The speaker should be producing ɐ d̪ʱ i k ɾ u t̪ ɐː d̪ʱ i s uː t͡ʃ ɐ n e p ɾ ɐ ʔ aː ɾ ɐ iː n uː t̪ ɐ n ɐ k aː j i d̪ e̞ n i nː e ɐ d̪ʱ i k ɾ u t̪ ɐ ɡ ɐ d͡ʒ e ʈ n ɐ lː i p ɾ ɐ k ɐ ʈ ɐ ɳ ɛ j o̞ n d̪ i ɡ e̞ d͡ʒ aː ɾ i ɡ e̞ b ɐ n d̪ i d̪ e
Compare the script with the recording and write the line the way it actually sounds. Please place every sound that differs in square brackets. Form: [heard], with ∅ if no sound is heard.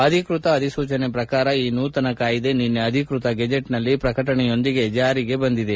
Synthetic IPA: ɐ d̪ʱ i k ɾ u t̪ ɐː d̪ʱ i s uː t͡ʃ ɐ n e p ɾ ɐ [k] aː ɾ ɐ iː n uː t̪ ɐ n ɐ k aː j i d̪ e̞ n i nː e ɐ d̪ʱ i k ɾ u t̪ ɐ ɡ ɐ d͡ʒ e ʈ n ɐ lː i p ɾ ɐ k ɐ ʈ ɐ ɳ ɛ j o̞ n d̪ i ɡ e̞ d͡ʒ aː ɾ i ɡ e̞ b ɐ n d̪ i d̪ e